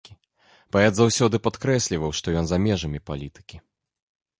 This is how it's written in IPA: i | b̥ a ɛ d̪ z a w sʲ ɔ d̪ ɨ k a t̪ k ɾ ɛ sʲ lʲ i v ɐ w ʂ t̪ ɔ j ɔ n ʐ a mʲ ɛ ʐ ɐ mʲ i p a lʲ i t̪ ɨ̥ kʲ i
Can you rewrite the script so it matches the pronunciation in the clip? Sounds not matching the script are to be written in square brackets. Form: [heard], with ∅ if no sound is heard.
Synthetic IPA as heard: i | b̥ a ɛ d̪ z a w sʲ ɔ d̪ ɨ [p] a t̪ k ɾ ɛ sʲ lʲ i v ɐ w ʂ t̪ ɔ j ɔ n [z] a mʲ ɛ ʐ ɐ mʲ i p a lʲ i t̪ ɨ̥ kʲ i

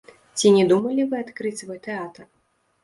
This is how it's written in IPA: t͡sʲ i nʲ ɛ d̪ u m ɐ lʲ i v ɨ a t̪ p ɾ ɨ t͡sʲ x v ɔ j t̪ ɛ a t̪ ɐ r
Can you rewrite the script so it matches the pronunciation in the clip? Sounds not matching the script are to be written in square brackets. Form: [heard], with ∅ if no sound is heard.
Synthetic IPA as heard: t͡sʲ i nʲ ɛ d̪ u m ɐ lʲ i v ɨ a t̪ [k] ɾ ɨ t͡sʲ [s] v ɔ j t̪ ɛ a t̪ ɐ r

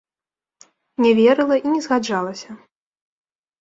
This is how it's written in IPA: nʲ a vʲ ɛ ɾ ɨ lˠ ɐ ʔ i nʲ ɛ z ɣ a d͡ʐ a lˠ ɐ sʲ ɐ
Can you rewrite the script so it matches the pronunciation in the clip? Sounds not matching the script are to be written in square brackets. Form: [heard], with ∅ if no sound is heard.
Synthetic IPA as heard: nʲ [ɛ] vʲ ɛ ɾ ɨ lˠ ɐ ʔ i nʲ ɛ z ɣ a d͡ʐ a lˠ ɐ sʲ ɐ

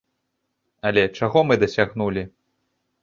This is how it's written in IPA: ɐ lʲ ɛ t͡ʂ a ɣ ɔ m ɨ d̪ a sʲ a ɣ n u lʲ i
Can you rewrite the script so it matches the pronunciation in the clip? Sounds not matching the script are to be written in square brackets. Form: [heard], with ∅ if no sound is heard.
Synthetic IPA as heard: ɐ lʲ ɛ t͡ʂ a ɣ ɔ m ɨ d̪ [ɐ] sʲ a ɣ n u lʲ i

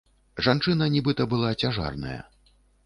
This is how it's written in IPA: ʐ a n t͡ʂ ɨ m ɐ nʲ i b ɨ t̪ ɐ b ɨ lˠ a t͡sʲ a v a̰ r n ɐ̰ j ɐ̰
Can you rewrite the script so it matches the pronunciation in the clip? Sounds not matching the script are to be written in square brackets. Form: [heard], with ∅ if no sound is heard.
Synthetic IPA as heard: ʐ a n t͡ʂ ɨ [n] ɐ nʲ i b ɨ t̪ ɐ b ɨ lˠ a t͡sʲ a [ʐ] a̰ r n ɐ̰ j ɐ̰

